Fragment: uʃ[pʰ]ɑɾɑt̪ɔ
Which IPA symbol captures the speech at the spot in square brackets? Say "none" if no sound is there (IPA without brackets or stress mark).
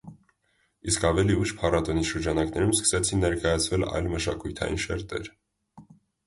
pʰ